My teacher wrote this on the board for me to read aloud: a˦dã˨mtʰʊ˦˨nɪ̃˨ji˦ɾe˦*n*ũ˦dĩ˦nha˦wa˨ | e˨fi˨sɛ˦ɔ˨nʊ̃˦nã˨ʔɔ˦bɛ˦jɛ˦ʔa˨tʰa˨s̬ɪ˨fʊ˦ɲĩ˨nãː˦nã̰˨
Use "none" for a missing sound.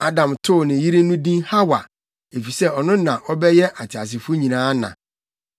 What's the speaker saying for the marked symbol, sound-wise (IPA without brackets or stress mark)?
n